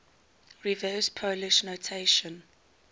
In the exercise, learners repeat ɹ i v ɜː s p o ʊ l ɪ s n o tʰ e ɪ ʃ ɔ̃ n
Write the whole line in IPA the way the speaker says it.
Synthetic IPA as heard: ɹ i v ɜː s pʰ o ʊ l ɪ ʃ n o tʰ e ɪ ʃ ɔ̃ n